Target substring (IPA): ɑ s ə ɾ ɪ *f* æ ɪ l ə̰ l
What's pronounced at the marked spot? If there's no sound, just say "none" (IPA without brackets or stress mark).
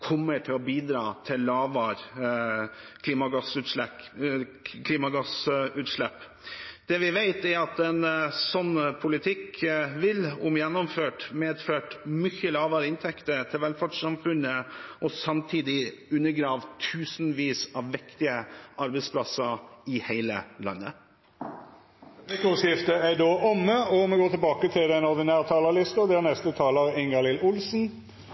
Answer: h